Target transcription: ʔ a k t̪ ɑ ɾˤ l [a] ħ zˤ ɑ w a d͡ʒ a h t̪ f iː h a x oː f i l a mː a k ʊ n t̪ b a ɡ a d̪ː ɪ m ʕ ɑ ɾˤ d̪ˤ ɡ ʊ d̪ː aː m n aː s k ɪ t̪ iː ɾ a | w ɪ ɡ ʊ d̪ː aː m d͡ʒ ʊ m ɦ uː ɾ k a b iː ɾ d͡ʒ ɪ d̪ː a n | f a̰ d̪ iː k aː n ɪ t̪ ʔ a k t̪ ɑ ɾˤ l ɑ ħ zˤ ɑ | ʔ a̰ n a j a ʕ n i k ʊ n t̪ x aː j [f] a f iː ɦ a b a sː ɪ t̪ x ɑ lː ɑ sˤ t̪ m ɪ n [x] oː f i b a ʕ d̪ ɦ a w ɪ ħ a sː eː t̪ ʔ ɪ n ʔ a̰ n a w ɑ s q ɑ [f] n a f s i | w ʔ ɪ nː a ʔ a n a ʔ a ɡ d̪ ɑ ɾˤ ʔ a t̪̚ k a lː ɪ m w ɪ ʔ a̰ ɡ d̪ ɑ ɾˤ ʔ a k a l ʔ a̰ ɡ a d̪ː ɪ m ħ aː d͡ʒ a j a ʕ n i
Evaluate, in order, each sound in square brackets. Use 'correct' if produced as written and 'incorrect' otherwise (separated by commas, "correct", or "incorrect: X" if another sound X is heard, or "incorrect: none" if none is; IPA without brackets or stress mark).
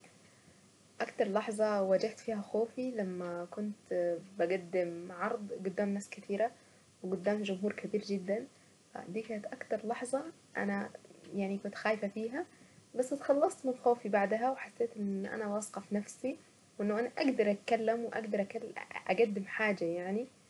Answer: incorrect: ɑ, correct, correct, correct